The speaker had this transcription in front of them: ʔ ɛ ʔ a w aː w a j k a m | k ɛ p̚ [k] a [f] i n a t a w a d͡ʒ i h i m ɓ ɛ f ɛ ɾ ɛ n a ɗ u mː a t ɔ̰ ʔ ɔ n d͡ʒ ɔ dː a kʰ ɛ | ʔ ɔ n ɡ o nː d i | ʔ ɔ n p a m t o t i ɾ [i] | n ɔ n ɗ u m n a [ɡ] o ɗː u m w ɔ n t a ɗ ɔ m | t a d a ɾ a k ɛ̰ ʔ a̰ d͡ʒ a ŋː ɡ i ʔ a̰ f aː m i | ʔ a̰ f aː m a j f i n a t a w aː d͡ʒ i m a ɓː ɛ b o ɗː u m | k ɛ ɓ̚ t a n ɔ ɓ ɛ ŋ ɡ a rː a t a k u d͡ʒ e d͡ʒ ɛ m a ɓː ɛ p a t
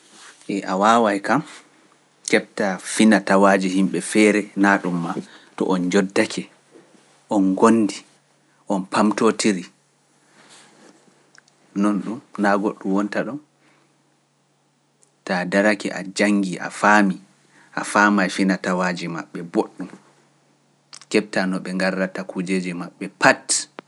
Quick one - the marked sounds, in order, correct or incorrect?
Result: incorrect: t, correct, correct, correct

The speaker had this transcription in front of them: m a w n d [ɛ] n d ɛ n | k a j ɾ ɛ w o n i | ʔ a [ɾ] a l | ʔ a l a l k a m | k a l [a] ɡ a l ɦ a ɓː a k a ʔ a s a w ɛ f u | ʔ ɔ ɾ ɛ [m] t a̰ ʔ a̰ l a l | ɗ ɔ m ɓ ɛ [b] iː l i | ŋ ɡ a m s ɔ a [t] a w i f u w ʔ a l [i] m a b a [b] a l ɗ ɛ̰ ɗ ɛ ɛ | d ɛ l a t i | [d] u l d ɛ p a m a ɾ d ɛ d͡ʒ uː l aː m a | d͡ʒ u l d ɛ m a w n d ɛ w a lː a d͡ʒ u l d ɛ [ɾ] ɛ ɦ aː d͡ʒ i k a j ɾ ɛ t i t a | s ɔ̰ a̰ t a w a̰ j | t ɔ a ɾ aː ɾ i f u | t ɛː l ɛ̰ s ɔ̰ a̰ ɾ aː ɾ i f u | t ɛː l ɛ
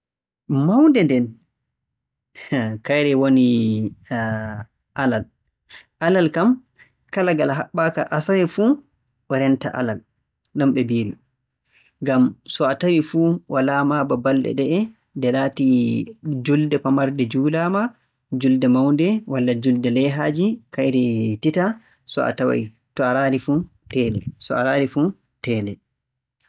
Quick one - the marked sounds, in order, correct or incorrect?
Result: correct, incorrect: l, correct, incorrect: n, correct, correct, incorrect: a, correct, incorrect: d͡ʒ, incorrect: l

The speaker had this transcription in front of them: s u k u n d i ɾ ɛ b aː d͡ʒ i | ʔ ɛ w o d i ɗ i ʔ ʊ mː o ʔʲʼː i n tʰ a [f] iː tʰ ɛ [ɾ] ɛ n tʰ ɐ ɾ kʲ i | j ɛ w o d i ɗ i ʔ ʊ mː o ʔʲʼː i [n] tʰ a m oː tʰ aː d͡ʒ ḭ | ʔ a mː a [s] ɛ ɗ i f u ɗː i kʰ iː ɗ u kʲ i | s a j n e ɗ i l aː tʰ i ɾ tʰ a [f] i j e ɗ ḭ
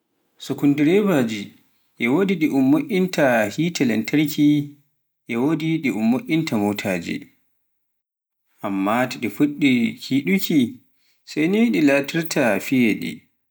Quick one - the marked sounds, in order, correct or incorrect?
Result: incorrect: h, incorrect: l, correct, incorrect: t, correct

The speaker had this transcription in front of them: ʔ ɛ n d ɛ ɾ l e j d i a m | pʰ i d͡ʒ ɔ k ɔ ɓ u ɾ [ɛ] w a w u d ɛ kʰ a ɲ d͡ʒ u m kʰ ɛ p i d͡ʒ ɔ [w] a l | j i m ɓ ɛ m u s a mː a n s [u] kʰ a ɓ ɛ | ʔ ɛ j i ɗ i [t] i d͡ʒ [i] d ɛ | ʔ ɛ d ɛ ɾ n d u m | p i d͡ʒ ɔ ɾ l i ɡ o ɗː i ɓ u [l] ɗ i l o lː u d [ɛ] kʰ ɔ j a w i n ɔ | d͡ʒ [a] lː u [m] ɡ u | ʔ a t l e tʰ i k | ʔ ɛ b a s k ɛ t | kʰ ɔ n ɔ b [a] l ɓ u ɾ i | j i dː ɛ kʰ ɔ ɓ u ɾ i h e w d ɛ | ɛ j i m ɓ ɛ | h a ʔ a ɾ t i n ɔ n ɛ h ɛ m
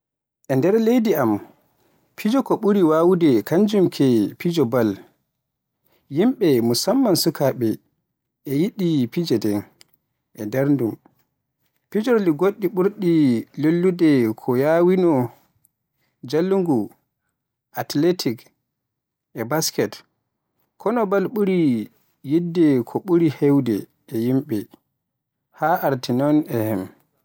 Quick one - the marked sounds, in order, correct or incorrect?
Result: incorrect: i, incorrect: b, correct, incorrect: p, incorrect: ɛ, incorrect: ɾ, correct, correct, incorrect: ŋ, correct

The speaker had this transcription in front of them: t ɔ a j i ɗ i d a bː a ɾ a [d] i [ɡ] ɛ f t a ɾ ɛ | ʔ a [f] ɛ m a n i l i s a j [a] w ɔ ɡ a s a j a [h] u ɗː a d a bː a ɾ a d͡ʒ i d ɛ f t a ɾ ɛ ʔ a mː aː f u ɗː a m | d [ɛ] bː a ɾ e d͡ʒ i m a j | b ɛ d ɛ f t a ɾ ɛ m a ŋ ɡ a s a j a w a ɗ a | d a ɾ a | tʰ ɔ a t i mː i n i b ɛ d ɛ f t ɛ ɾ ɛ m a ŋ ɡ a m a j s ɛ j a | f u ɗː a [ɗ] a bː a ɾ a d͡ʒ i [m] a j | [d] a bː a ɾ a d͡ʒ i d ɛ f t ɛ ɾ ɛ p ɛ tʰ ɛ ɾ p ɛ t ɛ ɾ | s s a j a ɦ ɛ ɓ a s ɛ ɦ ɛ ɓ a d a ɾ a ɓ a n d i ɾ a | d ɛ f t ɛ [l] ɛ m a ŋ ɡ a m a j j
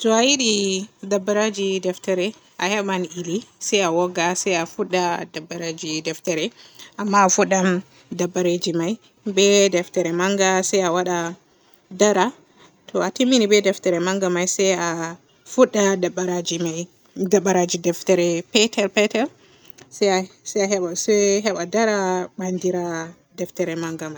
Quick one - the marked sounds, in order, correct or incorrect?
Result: incorrect: d͡ʒ, incorrect: d, incorrect: h, correct, incorrect: f, incorrect: a, incorrect: d, correct, correct, incorrect: ɾ

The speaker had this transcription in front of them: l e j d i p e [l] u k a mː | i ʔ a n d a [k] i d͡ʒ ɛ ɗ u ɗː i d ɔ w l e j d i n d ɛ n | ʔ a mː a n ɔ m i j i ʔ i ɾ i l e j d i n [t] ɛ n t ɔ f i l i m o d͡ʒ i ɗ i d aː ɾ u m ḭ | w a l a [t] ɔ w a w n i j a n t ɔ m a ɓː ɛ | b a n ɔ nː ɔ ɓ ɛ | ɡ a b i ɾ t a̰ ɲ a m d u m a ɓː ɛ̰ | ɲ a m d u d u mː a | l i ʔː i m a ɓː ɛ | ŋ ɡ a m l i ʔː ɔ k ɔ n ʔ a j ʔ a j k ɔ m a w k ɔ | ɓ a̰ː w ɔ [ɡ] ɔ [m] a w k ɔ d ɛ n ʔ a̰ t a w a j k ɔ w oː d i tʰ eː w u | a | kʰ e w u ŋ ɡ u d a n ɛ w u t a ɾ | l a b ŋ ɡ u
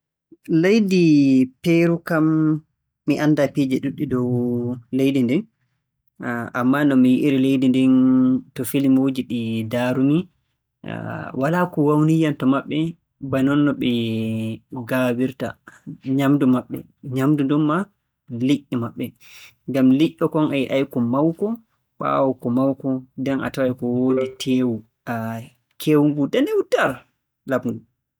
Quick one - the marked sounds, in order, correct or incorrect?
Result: incorrect: ɾ, incorrect: p, incorrect: d, incorrect: k, incorrect: k, correct

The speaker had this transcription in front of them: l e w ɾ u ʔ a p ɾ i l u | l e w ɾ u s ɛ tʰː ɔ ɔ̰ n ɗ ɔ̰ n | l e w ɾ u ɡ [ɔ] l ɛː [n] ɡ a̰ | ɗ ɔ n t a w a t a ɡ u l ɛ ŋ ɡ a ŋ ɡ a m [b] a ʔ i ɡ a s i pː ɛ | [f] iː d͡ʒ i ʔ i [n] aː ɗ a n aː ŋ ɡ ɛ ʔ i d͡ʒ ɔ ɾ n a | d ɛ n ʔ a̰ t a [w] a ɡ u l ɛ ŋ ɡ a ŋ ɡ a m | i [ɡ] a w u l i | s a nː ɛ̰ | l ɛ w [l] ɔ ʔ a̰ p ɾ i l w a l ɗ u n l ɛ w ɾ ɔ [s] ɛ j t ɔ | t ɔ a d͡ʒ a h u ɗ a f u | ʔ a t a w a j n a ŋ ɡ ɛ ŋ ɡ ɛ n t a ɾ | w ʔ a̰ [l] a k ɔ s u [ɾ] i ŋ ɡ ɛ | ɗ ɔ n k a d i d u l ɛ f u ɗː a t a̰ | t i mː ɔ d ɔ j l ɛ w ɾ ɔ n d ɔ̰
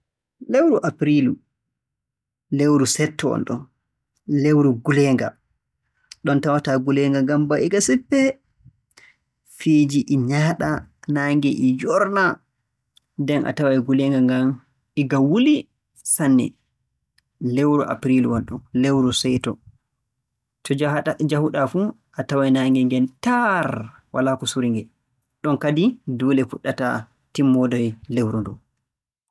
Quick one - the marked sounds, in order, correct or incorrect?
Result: incorrect: u, incorrect: ŋ, correct, correct, incorrect: ɲ, correct, correct, incorrect: ɾ, correct, correct, correct

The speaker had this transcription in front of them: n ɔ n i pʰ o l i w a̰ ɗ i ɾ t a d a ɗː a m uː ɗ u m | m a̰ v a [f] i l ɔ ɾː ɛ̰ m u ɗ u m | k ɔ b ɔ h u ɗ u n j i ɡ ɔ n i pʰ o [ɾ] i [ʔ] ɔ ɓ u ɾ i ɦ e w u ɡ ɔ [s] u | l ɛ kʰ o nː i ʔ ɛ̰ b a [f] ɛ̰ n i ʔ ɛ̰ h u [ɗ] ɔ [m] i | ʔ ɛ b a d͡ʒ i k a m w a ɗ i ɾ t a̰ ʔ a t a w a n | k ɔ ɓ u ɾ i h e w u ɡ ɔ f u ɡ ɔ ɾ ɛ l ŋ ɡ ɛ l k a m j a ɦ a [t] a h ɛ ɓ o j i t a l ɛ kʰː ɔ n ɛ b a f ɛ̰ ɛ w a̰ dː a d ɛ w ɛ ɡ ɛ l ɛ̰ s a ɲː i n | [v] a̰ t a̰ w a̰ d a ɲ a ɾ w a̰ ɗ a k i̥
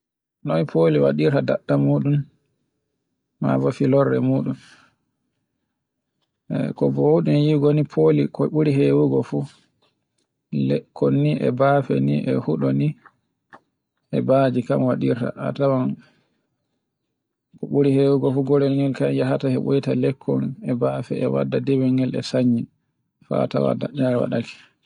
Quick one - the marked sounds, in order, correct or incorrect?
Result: correct, incorrect: l, incorrect: k, incorrect: f, correct, correct, incorrect: n, correct, incorrect: f

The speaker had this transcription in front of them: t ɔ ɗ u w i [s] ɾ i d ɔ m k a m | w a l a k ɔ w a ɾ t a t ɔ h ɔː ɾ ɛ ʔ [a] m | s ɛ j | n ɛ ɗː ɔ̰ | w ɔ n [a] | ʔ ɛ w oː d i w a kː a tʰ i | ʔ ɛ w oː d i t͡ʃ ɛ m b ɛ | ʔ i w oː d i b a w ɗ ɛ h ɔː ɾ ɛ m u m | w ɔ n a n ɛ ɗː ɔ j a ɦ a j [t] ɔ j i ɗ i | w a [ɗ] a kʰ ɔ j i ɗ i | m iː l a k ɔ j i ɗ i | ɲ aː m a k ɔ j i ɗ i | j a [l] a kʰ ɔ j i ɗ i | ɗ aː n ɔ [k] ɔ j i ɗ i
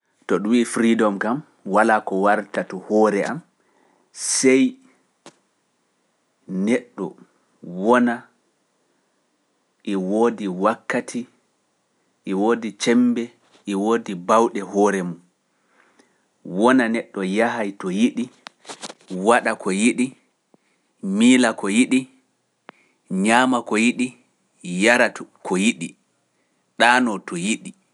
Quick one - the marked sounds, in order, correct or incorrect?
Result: incorrect: f, correct, correct, correct, correct, incorrect: ɾ, incorrect: t

